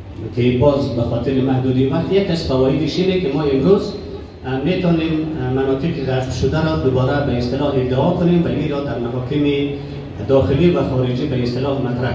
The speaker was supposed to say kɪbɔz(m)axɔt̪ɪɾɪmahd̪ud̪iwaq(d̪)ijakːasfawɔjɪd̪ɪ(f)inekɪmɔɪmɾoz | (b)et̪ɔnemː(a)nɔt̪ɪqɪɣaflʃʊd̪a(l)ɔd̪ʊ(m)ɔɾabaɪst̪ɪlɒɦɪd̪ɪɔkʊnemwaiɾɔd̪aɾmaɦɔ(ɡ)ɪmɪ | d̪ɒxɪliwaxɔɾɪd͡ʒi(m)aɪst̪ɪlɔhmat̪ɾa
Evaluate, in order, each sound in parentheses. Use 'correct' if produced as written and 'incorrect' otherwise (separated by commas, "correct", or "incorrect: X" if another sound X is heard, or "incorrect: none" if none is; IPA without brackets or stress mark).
incorrect: b, incorrect: t̪, incorrect: ʃ, incorrect: m, correct, incorrect: ɾ, incorrect: b, incorrect: k, incorrect: b